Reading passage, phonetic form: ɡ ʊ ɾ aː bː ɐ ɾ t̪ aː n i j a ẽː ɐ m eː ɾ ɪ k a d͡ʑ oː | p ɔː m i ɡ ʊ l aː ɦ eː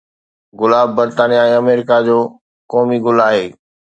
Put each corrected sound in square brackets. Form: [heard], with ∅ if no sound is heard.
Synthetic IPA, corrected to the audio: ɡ ʊ [l] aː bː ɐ ɾ t̪ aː n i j a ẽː ɐ m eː ɾ ɪ k a d͡ʑ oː | [k] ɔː m i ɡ ʊ l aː ɦ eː